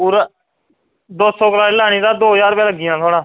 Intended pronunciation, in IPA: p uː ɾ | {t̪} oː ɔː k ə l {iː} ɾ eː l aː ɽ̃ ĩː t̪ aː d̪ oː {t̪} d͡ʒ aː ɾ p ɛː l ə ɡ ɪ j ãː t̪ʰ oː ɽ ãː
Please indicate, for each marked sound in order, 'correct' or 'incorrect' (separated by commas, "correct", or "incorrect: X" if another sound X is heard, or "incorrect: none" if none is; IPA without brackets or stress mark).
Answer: incorrect: d̪, incorrect: aː, incorrect: none